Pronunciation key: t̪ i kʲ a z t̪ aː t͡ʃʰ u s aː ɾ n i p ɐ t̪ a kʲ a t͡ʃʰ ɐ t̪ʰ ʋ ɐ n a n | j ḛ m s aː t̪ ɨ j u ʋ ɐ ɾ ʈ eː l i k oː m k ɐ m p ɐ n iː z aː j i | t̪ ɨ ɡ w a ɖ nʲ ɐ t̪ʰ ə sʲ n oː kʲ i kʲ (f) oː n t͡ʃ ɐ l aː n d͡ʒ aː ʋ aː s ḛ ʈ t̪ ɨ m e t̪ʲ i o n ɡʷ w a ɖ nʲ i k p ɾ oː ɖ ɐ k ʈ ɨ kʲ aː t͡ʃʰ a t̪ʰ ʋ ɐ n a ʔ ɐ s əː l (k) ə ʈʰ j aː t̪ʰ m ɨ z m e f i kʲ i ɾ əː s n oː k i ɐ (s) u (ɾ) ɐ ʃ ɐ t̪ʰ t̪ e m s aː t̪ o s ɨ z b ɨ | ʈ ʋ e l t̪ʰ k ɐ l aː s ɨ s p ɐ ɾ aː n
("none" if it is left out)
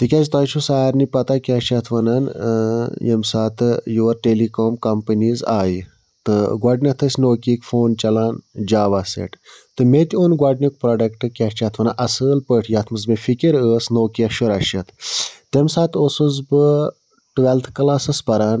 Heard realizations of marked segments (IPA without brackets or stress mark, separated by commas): f, p, ʃ, ɾ